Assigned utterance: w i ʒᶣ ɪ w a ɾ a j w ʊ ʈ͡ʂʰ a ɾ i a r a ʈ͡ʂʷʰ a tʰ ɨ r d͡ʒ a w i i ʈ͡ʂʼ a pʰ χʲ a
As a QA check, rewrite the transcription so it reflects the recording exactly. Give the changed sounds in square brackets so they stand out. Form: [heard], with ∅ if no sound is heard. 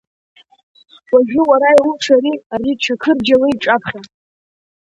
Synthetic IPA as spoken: w [a] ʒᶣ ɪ w a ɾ a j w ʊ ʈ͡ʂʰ a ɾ i a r [i] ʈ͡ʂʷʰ a [kʰ] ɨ r d͡ʒ a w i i ʈ͡ʂʼ a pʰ χʲ a